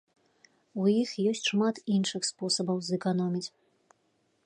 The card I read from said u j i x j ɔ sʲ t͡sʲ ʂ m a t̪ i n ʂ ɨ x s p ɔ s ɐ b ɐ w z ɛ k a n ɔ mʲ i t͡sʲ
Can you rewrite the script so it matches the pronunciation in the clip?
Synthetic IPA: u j i x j ɔ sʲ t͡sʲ ʂ m a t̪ i n ʂ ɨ x s p ɔ s ɐ b ɐ w z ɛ k a n ɔ mʲ i t͡sʲ

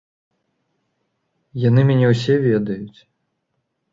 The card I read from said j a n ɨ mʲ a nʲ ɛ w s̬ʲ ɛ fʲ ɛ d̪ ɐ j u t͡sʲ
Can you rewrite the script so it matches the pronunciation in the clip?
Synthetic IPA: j a n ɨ mʲ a nʲ ɛ w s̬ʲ ɛ vʲ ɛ d̪ ɐ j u t͡sʲ

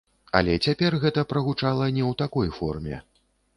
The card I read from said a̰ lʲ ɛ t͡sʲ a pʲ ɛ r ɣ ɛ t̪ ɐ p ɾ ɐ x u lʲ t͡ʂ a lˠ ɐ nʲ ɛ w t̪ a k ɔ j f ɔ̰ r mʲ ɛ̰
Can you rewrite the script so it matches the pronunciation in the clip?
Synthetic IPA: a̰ lʲ ɛ t͡sʲ a pʲ ɛ r ɣ ɛ t̪ ɐ p ɾ ɐ ɣ u t͡ʂ a lˠ ɐ nʲ ɛ w t̪ a k ɔ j f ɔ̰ r mʲ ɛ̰

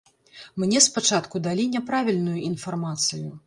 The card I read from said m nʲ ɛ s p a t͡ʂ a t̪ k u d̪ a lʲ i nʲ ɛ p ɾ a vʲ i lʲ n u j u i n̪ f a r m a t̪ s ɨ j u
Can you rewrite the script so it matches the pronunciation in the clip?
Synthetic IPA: m nʲ ɛ s p a t͡ʂ a t̪ k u d̪ a lʲ i nʲ ɛ p ɾ a vʲ i lʲ n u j u i n̪ f a r m a t̪ s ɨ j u

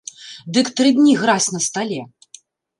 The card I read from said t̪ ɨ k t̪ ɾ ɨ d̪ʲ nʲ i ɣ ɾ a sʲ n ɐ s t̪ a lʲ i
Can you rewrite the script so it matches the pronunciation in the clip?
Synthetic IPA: d̪ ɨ k t̪ ɾ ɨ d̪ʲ nʲ i ɣ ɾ a sʲ n ɐ s t̪ a lʲ ɛ

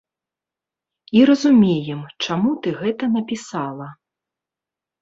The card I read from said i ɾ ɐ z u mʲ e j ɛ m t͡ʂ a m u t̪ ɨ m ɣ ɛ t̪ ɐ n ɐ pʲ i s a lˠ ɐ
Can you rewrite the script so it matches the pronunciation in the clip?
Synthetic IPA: i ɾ ɐ z u mʲ e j ɛ m t͡ʂ a m u t̪ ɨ ɣ ɛ t̪ ɐ n ɐ pʲ i s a lˠ ɐ

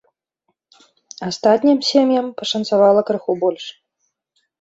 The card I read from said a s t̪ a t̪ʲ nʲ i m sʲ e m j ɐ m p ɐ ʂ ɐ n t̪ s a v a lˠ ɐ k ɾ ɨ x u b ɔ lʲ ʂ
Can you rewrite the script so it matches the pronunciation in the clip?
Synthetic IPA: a s t̪ a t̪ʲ nʲ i m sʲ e m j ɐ m p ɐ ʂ ɐ n t̪ s a v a lˠ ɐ k ɾ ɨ x u b ɔ lʲ ʂ

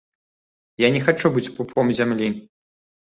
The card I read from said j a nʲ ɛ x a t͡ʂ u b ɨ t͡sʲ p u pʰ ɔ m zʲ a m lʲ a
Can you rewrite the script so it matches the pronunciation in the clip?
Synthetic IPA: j a nʲ ɛ x a t͡ʂ u b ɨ t͡sʲ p u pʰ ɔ m zʲ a m lʲ i

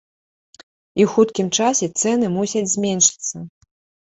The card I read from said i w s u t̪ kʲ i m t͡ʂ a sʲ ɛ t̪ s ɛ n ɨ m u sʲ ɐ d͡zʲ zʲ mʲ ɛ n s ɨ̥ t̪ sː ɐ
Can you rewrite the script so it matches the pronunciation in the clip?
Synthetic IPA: i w x u t̪ kʲ i m t͡ʂ a sʲ ɛ t̪ s ɛ n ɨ m u sʲ ɐ d͡zʲ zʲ mʲ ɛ n ʂ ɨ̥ t̪ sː ɐ

